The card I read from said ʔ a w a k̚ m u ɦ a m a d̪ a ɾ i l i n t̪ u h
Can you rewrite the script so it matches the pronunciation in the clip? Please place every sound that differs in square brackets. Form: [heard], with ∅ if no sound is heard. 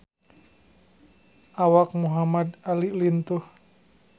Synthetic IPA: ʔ a w a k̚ m u ɦ a m a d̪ a [l] i l i n t̪ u h

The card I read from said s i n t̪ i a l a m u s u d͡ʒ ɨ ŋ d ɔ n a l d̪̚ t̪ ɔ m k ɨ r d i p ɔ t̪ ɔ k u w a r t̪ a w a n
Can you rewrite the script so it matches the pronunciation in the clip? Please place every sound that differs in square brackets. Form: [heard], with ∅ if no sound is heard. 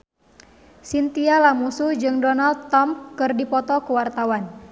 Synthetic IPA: s i n t̪ i a l a m u s u d͡ʒ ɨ ŋ d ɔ n a l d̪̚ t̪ ɔ m k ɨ r d i p ɔ t̪ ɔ k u w a r t̪ a w a n

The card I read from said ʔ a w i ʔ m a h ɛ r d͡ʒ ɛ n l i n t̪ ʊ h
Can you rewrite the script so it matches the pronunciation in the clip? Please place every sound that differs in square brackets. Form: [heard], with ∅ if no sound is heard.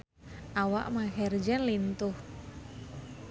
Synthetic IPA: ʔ a w [a] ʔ m a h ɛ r d͡ʒ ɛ n l i n t̪ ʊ h

